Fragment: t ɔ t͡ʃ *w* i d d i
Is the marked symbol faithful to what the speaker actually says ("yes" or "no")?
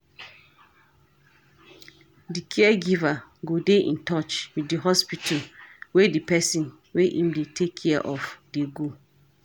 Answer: yes